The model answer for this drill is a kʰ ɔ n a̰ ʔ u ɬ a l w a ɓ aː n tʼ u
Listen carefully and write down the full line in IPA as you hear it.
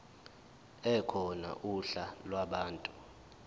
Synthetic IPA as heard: ɛ kʰ ɔ n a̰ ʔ u ɬ a l w a ɓ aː n tʼ u